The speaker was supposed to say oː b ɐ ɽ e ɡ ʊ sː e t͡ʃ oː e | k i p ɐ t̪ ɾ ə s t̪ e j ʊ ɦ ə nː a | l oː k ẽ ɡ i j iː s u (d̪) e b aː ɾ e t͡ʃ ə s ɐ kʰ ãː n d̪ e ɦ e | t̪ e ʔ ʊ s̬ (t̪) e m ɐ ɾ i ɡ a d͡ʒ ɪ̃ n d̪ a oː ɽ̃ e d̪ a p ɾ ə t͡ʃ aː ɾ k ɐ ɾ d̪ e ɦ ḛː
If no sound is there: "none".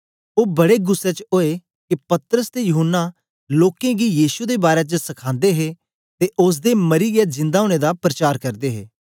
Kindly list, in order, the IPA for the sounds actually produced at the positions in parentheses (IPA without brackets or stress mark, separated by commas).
d̪, d̪